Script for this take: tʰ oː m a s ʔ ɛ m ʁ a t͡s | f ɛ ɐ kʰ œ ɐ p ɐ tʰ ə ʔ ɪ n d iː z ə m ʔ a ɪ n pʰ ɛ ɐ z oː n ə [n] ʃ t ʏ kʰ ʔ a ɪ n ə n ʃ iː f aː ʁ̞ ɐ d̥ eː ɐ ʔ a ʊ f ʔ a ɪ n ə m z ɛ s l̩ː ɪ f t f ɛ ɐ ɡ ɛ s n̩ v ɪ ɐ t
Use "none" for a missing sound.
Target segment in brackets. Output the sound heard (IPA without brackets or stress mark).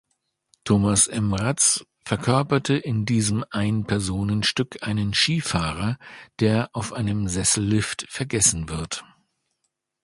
n